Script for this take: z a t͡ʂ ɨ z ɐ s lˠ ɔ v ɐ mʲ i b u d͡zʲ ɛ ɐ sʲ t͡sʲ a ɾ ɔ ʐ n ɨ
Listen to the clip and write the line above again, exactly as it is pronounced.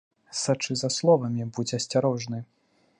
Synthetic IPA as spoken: s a t͡ʂ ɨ z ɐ s lˠ ɔ v ɐ mʲ i b u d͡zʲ ɛ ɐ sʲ t͡sʲ a ɾ ɔ ʐ n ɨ